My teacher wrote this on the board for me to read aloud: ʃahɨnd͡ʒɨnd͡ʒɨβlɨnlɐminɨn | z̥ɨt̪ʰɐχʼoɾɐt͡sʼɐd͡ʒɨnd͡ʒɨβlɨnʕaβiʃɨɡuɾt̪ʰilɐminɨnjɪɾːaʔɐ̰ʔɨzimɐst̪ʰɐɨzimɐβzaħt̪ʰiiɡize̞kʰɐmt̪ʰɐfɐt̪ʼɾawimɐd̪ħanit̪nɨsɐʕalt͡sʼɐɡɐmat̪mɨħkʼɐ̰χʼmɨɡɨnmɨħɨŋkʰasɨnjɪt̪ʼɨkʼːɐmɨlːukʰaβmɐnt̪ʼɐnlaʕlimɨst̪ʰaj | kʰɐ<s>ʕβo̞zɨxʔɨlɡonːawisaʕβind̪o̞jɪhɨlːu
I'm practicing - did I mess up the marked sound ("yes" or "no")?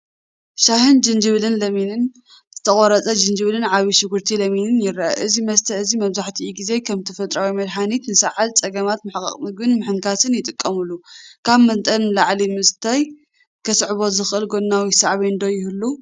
no